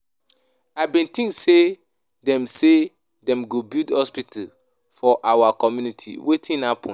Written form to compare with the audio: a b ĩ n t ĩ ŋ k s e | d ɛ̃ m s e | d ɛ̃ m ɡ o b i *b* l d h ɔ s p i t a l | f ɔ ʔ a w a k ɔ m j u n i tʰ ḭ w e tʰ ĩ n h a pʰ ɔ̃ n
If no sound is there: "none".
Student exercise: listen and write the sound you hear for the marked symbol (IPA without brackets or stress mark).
none